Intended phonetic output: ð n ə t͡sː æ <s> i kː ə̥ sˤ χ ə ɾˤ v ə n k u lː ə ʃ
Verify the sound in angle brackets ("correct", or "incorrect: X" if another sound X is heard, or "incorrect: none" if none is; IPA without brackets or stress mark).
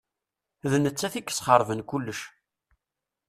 incorrect: θ